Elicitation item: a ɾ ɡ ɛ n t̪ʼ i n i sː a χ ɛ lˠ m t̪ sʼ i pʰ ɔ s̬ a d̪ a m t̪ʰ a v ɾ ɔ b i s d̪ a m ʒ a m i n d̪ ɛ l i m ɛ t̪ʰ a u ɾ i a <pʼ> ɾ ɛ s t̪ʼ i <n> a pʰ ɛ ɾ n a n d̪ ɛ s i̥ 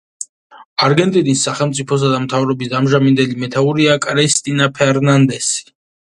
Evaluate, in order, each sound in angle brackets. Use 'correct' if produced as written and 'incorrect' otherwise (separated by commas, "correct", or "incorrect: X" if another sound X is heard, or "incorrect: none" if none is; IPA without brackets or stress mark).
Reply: incorrect: kʼ, correct